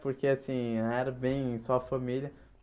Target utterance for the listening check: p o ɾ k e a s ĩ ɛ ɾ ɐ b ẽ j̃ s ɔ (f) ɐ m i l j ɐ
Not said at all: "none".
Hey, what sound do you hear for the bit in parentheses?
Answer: f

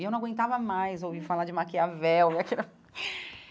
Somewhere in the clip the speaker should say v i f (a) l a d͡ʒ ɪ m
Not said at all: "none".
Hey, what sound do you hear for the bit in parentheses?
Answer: a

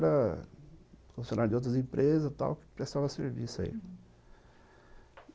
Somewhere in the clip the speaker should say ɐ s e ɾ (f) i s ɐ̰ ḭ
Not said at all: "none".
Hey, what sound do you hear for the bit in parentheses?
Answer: v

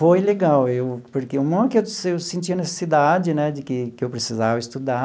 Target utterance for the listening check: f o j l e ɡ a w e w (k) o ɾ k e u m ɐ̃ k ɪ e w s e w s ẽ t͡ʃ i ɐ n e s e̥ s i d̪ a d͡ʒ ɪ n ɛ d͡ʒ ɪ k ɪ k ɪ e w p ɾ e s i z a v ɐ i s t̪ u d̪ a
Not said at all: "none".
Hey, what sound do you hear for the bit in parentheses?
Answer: p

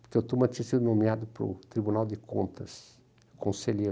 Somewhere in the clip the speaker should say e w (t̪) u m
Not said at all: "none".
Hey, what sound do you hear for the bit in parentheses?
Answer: t̪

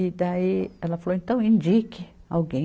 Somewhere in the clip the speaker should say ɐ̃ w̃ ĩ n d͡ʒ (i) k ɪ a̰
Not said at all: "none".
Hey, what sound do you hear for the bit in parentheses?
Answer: i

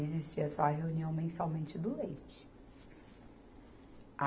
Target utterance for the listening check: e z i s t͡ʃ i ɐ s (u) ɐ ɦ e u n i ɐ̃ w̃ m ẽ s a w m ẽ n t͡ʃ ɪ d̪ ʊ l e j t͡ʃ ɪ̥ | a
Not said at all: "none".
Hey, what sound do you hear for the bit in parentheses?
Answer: ɔ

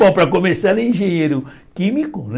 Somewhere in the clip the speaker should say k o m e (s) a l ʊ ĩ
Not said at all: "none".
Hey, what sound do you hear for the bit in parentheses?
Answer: s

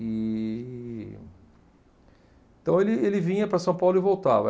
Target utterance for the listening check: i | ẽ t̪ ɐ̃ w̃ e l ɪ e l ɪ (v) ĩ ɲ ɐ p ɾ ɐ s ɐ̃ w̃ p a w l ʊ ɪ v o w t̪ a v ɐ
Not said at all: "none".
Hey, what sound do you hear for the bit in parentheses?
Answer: v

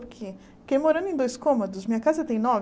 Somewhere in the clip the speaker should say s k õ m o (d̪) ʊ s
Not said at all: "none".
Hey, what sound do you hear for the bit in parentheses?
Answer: d̪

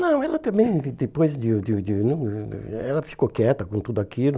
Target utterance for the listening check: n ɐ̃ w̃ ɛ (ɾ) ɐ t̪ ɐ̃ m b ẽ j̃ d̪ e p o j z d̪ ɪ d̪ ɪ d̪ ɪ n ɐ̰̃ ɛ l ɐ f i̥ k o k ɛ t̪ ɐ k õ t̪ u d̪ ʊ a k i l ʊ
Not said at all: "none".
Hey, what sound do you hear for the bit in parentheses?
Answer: l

